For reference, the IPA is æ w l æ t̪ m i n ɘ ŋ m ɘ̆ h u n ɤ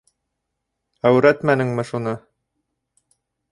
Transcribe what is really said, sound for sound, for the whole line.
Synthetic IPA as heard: æ w ɾ æ t̪ m æ n ɘ ŋ m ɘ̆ ʃ u n ɤ